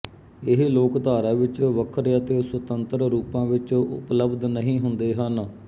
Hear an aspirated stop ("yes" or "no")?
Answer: yes